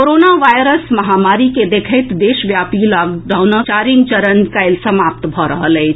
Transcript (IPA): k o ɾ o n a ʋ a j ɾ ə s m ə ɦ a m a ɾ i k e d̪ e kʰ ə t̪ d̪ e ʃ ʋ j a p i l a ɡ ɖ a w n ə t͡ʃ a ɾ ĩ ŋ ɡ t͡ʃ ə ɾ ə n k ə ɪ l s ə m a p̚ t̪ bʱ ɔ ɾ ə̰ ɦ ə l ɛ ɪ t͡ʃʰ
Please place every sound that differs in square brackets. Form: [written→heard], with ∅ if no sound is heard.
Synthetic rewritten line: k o ɾ o n a ʋ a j ɾ ə s m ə ɦ a m a ɾ i k e d̪ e kʰ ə t̪ d̪ e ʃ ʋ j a p i l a ɡ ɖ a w n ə t͡ʃ a ɾ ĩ ŋ ɡ t͡ʃ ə ɾ ə n k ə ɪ l s ə m a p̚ t̪ bʱ ɔ ɾ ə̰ ɦ ə l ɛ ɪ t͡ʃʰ